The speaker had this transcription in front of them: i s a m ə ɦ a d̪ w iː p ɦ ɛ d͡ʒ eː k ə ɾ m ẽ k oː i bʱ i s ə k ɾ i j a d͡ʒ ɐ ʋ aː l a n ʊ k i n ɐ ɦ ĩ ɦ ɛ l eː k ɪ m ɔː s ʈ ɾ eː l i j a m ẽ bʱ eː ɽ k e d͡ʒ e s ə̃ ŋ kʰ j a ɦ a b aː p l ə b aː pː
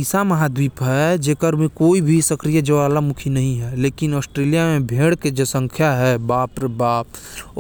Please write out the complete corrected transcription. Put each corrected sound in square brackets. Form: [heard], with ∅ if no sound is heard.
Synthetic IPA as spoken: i s a m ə ɦ a d̪ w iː p ɦ ɛ d͡ʒ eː k ə ɾ m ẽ k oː i bʱ i s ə k ɾ i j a d͡ʒ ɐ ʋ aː l a [m] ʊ [kʰ] i n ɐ ɦ ĩ ɦ ɛ l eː k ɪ [n] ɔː s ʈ ɾ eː l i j a m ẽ bʱ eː ɽ k e d͡ʒ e s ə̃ ŋ kʰ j a ɦ [ɛ] b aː p [ɾ] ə b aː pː